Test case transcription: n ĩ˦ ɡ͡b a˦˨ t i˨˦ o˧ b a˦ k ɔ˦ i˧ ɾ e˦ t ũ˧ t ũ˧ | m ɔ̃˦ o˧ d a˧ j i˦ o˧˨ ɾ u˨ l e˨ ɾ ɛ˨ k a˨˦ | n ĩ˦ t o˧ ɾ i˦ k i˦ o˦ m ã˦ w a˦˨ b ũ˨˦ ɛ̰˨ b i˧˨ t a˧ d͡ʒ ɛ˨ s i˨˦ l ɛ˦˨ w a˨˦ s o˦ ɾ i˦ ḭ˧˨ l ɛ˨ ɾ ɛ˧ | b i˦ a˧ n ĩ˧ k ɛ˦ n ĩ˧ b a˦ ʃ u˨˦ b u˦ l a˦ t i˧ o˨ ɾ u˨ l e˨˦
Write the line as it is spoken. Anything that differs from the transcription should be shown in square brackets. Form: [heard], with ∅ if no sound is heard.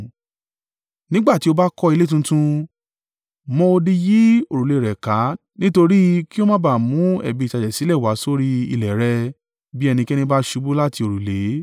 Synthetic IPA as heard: n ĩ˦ ɡ͡b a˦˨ t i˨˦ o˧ b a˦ k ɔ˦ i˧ [l] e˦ t ũ˧ t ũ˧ | m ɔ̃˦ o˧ d [i˧] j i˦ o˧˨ ɾ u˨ l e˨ ɾ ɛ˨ k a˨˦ | n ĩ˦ t o˧ ɾ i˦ k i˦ o˦ m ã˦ [b] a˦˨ [m] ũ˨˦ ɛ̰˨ b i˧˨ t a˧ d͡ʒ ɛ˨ s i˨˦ l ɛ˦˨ w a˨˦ s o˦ ɾ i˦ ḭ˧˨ l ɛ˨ ɾ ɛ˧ | b i˦ [ɛ˧] n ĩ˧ k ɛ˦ n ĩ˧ b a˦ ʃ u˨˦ b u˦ l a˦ t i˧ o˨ ɾ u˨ l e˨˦